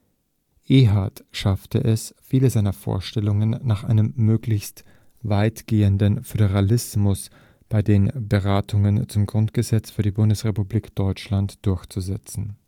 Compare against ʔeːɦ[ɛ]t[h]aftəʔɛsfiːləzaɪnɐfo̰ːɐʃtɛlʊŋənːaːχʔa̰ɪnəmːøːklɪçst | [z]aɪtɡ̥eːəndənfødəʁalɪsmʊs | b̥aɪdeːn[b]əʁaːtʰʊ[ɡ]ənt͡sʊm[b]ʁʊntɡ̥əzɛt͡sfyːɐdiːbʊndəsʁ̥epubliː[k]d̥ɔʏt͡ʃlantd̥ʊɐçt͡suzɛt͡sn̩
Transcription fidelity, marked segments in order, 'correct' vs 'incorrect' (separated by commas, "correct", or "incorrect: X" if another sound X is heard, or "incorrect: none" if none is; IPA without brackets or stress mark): incorrect: a, incorrect: ʃ, incorrect: v, correct, incorrect: ŋ, incorrect: ɡ, correct